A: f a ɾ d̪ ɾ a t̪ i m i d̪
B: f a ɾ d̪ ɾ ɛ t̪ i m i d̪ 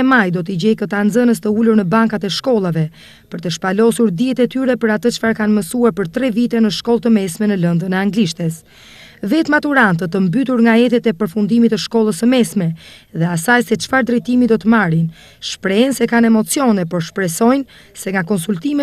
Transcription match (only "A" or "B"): B